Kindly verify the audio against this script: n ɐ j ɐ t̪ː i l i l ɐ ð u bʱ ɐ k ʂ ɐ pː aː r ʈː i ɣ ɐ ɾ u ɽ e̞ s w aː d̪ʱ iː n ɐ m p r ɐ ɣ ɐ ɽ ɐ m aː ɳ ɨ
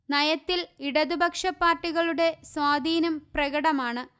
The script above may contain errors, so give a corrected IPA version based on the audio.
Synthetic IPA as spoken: n ɐ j ɐ t̪ː i l i ɽ ɐ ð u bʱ ɐ k ʂ ɐ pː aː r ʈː i ɣ ɐ ɭ u ɽ e̞ s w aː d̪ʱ iː n ɐ m p r ɐ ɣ ɐ ɽ ɐ m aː ɳ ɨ